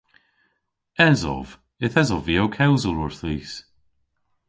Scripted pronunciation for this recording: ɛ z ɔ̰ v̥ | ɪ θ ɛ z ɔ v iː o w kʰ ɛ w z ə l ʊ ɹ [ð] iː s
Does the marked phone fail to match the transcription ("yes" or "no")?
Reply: yes